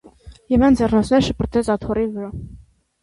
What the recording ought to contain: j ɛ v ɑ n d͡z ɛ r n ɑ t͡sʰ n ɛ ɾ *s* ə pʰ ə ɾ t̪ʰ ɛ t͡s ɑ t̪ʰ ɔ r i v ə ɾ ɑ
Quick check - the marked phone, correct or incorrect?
incorrect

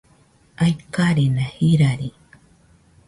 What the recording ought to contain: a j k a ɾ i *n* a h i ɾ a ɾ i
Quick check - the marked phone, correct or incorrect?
correct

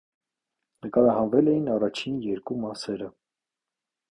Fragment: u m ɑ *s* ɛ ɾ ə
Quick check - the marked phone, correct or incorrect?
correct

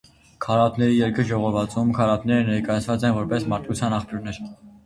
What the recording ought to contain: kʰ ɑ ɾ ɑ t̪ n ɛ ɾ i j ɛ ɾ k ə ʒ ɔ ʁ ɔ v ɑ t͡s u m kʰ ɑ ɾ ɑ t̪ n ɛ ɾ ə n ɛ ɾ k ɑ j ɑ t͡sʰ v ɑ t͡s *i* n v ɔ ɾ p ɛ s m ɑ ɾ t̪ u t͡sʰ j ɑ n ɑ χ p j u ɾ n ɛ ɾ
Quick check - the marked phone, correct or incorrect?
incorrect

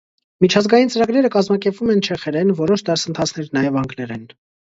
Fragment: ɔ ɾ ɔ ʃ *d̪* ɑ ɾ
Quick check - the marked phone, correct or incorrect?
correct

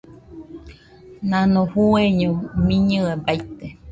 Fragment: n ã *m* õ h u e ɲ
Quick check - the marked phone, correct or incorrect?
incorrect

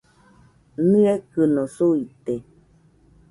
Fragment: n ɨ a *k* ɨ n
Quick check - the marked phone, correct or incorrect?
correct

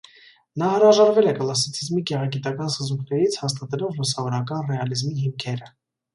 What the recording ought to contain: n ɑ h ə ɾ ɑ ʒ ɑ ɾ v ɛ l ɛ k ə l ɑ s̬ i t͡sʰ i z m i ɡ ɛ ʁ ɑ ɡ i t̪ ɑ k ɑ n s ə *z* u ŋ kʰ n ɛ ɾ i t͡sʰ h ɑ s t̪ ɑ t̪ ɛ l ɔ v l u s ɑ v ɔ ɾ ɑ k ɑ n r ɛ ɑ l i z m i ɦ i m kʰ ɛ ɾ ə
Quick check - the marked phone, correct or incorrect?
correct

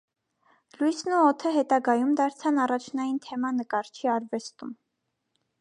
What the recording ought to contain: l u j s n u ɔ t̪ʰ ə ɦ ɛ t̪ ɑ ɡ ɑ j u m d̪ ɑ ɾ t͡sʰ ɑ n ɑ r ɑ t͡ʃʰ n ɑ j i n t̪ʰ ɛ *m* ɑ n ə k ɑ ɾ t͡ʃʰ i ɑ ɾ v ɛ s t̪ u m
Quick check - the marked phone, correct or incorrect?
correct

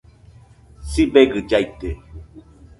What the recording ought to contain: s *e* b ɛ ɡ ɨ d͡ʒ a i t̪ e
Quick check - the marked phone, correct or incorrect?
incorrect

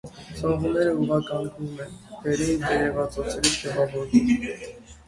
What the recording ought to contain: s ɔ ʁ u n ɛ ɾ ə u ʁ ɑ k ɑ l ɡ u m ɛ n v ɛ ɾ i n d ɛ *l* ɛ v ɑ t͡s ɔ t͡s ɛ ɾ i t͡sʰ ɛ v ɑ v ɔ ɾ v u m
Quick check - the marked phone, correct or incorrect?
incorrect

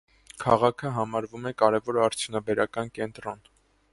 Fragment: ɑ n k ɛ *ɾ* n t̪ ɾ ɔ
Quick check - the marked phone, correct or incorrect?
incorrect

